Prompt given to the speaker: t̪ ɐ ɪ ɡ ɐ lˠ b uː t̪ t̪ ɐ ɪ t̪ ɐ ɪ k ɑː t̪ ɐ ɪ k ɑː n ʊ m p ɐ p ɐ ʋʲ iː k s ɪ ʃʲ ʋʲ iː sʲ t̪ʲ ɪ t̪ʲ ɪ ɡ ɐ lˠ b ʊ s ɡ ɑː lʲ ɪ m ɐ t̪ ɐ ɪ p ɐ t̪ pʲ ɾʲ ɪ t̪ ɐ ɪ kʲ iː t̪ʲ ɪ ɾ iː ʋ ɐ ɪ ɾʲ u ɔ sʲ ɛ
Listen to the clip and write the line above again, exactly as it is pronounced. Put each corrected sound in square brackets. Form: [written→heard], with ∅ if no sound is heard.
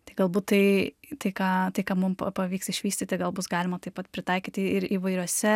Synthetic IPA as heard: t̪ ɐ ɪ ɡ ɐ lˠ b uː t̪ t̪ ɐ ɪ t̪ ɐ ɪ k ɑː t̪ ɐ ɪ k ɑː [n→m] ʊ m p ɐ p ɐ ʋʲ iː k s ɪ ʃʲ ʋʲ iː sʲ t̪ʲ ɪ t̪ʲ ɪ ɡ ɐ lˠ b ʊ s ɡ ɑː lʲ ɪ m ɐ t̪ ɐ ɪ p ɐ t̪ pʲ ɾʲ ɪ t̪ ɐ ɪ kʲ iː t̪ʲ ɪ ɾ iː ʋ ɐ ɪ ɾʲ u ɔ sʲ ɛ

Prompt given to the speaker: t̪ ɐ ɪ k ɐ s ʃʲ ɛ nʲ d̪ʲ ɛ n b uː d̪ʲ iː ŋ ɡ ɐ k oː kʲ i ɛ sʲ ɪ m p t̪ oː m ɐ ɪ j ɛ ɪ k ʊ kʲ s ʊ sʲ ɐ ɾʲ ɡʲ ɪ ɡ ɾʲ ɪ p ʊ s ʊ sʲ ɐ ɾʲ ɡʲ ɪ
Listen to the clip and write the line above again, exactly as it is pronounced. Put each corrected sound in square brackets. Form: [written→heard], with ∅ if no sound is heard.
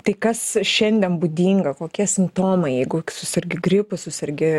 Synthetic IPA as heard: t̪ ɐ ɪ k ɐ s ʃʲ ɛ nʲ d̪ʲ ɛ n b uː d̪ʲ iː ŋ ɡ ɐ k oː kʲ i ɛ sʲ ɪ m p t̪ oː m ɐ ɪ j ɛ ɪ [k→ɡ] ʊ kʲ s ʊ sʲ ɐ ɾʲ ɡʲ ɪ ɡ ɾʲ ɪ p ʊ s ʊ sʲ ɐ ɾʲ ɡʲ ɪ

